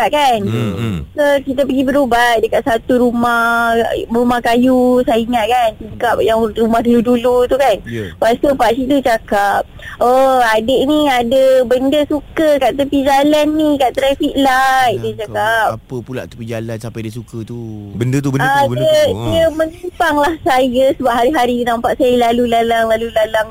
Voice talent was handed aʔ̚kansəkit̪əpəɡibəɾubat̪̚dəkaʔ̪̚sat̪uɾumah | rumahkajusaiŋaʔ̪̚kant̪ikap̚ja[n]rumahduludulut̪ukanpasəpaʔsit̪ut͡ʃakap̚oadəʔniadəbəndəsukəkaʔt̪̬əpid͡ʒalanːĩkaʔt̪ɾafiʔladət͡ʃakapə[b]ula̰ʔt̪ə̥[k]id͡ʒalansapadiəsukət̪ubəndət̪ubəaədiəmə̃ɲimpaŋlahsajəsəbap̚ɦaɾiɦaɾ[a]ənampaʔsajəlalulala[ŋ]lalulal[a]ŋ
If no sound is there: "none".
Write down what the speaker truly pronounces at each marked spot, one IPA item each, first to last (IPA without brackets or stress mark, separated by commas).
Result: ŋ, p, p, i, ŋ, a